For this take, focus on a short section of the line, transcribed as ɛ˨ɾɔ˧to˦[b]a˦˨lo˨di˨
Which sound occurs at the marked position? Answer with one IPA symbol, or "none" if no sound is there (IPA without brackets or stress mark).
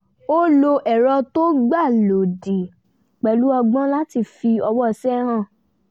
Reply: ɡ͡b